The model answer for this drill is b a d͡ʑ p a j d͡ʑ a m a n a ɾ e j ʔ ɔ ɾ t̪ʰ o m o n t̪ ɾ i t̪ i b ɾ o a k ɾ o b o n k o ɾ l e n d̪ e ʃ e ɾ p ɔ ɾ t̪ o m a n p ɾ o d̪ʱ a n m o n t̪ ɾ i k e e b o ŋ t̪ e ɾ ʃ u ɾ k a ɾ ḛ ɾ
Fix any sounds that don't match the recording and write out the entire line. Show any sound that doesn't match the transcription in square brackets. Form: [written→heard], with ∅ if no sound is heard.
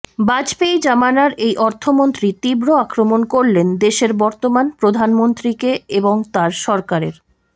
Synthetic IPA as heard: b a d͡ʑ p [a→e] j d͡ʑ a m a n a ɾ e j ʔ ɔ ɾ t̪ʰ o m o n t̪ ɾ i t̪ i b ɾ o a k ɾ o [b→m] o n k o ɾ l e n d̪ e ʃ e ɾ [p→b] ɔ ɾ t̪ o m a n p ɾ o d̪ʱ a n m o n t̪ ɾ i k e e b o ŋ t̪ [e→a] ɾ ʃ [u→ɔ] ɾ k a ɾ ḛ ɾ

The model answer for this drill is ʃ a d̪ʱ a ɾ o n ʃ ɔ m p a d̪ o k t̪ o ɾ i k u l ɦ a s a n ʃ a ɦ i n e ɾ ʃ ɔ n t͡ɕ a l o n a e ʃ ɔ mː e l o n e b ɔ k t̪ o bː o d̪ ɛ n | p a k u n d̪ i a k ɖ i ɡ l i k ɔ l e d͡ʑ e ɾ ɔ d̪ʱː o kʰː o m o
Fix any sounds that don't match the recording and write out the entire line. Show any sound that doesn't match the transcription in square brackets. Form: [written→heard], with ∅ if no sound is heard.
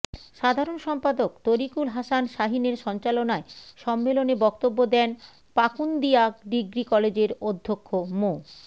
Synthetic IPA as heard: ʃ a d̪ʱ a ɾ o n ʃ ɔ m p a d̪ o k t̪ o ɾ i k u l ɦ a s a n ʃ a ɦ i n e ɾ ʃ ɔ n t͡ɕ a l o n a e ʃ ɔ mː e l o n e b ɔ k t̪ o bː o d̪ ɛ n | p a k u n d̪ i a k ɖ i ɡ [l→ɾ] i k ɔ l e d͡ʑ e ɾ [ɔ→o] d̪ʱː o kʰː o m o

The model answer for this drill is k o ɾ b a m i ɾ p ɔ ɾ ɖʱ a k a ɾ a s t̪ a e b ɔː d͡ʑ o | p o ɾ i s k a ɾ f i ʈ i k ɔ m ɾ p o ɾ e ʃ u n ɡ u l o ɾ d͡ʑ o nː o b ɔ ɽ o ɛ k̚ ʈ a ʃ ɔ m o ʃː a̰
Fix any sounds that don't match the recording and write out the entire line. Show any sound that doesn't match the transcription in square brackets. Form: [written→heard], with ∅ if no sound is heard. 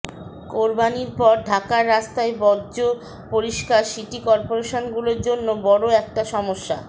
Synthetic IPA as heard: k o ɾ b a [m→n] i ɾ p ɔ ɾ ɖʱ a k a [ɾ→ɾː] a s t̪ a e b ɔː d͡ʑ o | p o ɾ i [s→ʃ] k a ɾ [f→ʃ] i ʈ i k ɔ [m→∅] ɾ p o ɾ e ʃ [u→o] n ɡ u l o ɾ d͡ʑ o nː o b ɔ ɽ o ɛ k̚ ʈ a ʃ ɔ m o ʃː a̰

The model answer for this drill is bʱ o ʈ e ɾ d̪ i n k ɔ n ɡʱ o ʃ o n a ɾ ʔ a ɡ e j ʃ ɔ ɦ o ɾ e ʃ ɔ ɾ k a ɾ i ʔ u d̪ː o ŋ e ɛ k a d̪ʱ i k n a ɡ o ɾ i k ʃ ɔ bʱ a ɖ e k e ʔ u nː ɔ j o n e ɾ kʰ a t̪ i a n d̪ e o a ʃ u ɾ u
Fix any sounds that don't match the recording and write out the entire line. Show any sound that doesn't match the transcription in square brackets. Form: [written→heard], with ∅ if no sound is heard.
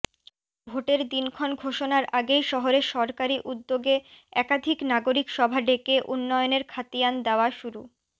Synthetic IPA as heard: bʱ o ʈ e ɾ d̪ i n [k→kʰ] ɔ n ɡʱ o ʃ o n a ɾ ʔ a ɡ e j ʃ ɔ ɦ o ɾ e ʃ ɔ ɾ k a ɾ i ʔ u d̪ː o [ŋ→ɡ] e ɛ k a d̪ʱ i k n a ɡ o ɾ i k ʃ ɔ bʱ a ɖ e k e ʔ u nː ɔ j o n e ɾ kʰ a t̪ i a n d̪ e o a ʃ u ɾ u

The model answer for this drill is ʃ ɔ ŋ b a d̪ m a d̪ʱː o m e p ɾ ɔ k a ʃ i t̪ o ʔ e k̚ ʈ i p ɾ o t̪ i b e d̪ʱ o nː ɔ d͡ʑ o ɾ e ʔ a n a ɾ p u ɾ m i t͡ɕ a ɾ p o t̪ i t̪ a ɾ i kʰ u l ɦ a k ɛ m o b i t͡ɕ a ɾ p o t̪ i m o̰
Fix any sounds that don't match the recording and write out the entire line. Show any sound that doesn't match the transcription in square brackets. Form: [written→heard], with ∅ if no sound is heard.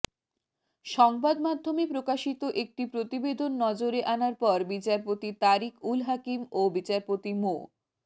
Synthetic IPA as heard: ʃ ɔ ŋ b a d̪ m a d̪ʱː o m e p ɾ [ɔ→o] k a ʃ i t̪ o ʔ e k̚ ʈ i p ɾ o t̪ i b e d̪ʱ o nː ɔ d͡ʑ o ɾ e ʔ a n a ɾ p [u→ɔ] ɾ [m→b] i t͡ɕ a ɾ p o t̪ i t̪ a ɾ i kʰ u l ɦ a k [ɛ→i] m o b i t͡ɕ a ɾ p o t̪ i m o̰

